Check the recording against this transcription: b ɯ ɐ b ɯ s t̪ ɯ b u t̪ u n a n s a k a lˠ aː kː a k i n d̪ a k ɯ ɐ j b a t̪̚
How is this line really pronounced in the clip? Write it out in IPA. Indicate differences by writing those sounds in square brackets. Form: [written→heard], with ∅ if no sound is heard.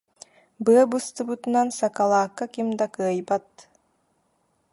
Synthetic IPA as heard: b ɯ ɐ b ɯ s t̪ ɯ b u t̪ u n a n s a k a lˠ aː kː a k i [n→m] d̪ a k ɯ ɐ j b a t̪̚